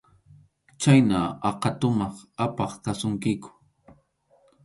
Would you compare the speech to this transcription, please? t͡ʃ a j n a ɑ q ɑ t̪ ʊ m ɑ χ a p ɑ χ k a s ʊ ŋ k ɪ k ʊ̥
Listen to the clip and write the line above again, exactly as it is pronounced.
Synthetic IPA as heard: t͡ʃ a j n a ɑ q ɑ t̪ ʊ m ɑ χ a p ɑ χ k a s ʊ ŋ k ɪ k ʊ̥